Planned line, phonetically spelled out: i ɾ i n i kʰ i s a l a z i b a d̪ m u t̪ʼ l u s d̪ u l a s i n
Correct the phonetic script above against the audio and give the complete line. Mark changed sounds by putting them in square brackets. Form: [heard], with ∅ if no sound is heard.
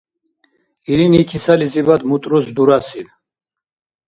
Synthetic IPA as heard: i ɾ i n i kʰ i s a l [i] z i b a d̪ m u t̪ʼ [ɾ] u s d̪ u [ɾ] a s i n